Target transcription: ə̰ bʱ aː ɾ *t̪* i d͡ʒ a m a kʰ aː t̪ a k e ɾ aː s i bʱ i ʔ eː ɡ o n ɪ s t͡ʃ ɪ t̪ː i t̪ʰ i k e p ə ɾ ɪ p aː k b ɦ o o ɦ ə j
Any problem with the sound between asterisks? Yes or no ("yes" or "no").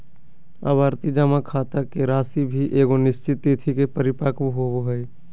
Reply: no